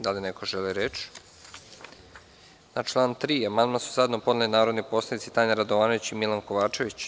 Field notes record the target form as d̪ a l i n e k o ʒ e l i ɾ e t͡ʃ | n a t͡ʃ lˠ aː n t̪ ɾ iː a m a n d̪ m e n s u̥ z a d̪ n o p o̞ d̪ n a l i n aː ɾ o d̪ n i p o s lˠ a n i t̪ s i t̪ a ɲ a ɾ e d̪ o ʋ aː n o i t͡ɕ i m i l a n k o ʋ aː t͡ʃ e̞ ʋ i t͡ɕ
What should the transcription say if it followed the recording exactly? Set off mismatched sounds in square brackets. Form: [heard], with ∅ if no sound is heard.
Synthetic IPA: d̪ a l i n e k o ʒ e l i ɾ e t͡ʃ | n a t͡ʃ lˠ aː n t̪ ɾ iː a m a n d̪ m [a] n s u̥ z a d̪ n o p o̞ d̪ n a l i n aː ɾ o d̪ n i p o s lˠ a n i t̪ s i t̪ a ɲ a ɾ [a] d̪ o ʋ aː n o i t͡ɕ i m i l a n k o ʋ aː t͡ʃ e̞ ʋ i t͡ɕ